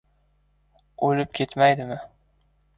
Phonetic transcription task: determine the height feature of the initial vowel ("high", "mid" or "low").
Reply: mid